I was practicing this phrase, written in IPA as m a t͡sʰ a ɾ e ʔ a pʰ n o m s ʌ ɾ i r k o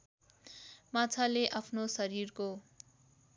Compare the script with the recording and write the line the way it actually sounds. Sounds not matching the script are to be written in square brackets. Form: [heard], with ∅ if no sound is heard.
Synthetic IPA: m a t͡sʰ a [l] e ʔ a pʰ n o [∅] s ʌ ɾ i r k o